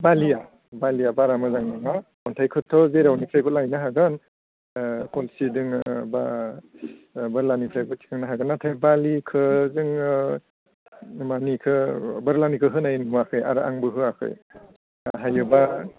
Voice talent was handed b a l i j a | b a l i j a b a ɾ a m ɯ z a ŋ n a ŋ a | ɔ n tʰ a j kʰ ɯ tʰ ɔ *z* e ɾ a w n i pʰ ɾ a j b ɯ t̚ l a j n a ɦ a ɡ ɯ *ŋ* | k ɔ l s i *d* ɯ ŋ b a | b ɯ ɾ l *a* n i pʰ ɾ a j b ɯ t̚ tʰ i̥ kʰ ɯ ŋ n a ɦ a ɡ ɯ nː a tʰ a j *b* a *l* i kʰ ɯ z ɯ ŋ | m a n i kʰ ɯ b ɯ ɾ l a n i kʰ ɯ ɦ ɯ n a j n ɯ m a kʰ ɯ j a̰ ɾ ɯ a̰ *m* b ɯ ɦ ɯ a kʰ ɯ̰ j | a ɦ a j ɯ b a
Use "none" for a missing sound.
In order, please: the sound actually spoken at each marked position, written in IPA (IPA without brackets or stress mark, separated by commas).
z, n, d, a, b, l, ŋ